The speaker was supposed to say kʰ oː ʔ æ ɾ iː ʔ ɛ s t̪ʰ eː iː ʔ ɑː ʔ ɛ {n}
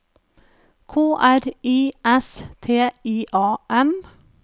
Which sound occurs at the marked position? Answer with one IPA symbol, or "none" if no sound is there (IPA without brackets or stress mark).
n